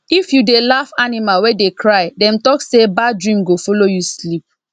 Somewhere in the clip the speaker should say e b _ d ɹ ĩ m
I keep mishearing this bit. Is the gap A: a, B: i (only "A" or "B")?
A